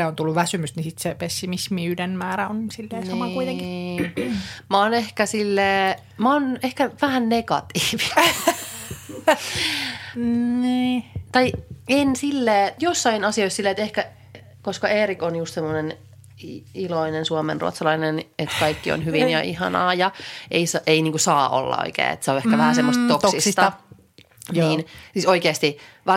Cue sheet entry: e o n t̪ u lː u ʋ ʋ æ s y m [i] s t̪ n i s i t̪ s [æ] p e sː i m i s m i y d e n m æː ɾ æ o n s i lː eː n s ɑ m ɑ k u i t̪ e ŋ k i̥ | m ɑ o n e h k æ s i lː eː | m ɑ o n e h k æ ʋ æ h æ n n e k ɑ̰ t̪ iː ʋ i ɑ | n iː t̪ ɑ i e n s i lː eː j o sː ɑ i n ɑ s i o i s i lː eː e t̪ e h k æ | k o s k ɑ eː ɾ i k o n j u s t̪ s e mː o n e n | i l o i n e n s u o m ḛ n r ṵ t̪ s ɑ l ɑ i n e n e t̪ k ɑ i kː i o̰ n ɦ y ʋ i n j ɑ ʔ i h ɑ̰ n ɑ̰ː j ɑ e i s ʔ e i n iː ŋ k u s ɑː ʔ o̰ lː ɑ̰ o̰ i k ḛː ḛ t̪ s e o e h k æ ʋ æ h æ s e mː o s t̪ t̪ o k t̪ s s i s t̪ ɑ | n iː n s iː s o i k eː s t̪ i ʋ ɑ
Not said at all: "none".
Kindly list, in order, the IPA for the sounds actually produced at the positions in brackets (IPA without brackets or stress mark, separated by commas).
y, e